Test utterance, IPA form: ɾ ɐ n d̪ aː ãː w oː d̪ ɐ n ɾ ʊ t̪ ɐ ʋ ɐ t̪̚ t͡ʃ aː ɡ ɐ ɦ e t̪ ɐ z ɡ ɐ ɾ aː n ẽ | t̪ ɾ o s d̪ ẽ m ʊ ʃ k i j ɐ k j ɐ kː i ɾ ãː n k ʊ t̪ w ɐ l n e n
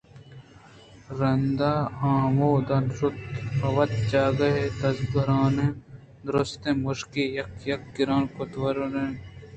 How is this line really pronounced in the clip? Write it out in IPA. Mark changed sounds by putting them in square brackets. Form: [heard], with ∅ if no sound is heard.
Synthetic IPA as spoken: ɾ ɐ n d̪ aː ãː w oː d̪ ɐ n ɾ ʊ t̪ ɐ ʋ ɐ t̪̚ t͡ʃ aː ɡ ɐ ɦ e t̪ ɐ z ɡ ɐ ɾ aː n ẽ | [d̪] ɾ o s [t̪] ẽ m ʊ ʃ k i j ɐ k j ɐ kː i ɾ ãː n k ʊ t̪ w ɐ [ɾ] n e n